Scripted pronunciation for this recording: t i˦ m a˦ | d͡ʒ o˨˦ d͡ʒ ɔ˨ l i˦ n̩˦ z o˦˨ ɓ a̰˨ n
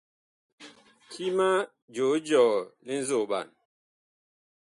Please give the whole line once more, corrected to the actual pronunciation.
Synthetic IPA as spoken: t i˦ m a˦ | d͡ʒ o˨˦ d͡ʒ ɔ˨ l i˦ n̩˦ z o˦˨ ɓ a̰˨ n

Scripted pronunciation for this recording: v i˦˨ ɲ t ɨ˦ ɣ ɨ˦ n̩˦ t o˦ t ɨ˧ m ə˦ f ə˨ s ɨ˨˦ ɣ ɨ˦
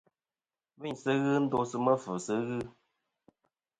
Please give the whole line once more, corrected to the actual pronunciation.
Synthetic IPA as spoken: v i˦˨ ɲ s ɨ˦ ɣ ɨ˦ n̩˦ d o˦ s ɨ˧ m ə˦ f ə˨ s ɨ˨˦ ɣ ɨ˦

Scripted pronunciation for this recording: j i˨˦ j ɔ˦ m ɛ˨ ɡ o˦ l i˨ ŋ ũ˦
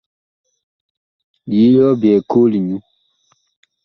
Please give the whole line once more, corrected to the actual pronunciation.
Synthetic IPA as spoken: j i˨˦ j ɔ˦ b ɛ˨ k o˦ l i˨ ɲ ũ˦

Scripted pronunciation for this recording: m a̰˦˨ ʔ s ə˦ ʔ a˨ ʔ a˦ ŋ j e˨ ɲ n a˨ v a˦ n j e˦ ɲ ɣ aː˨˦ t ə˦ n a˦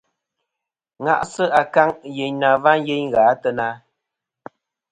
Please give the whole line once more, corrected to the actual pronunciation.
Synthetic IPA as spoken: ŋ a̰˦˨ ʔ s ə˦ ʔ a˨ k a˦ ŋ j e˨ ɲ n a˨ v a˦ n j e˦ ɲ ɣ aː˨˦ t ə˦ n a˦

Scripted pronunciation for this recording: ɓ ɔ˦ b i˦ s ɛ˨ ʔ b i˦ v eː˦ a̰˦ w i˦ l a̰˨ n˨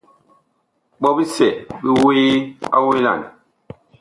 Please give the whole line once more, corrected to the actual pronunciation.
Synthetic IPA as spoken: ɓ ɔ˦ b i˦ s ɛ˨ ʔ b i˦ w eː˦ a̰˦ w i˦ l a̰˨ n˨

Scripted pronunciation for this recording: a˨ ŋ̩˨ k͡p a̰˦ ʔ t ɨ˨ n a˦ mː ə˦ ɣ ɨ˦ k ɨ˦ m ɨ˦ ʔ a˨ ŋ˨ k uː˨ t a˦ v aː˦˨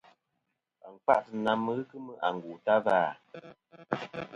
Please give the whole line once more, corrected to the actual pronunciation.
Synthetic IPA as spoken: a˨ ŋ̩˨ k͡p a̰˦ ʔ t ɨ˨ n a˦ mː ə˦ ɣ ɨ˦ k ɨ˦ m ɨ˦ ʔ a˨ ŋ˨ ɡ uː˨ t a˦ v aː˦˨

